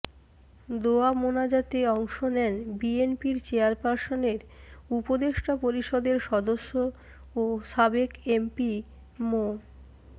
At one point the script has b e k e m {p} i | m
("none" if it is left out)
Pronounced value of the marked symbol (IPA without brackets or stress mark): p